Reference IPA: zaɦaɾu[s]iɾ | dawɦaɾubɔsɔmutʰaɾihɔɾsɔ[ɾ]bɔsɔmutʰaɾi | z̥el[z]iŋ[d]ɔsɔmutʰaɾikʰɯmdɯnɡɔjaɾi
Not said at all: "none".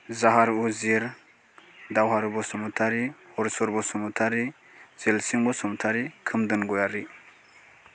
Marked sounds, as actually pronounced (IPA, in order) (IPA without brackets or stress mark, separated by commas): z, ɾ, s, b